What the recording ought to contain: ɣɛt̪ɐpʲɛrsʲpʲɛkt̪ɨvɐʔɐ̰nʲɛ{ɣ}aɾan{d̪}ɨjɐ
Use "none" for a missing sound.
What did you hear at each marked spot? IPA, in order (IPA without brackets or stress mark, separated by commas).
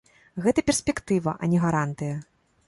ɣ, t̪